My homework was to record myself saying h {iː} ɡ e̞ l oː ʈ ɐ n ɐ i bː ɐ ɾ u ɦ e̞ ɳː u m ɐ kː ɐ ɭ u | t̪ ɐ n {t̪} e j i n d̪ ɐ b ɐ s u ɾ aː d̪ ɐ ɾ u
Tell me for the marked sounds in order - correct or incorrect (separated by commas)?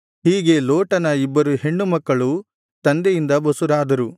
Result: correct, incorrect